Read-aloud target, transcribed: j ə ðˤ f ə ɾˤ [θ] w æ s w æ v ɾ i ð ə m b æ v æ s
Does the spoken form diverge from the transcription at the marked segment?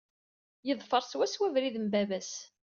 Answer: yes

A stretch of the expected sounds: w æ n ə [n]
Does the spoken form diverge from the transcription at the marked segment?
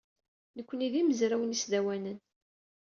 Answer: no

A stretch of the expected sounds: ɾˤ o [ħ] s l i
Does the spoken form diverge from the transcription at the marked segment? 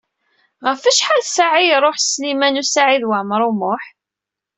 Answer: no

